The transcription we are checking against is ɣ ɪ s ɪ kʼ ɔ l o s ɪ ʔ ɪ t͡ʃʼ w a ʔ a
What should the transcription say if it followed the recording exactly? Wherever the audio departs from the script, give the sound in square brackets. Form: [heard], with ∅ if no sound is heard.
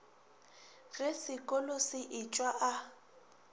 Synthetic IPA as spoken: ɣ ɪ s ɪ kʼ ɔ l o s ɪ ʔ ɪ t͡ʃʼ w a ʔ a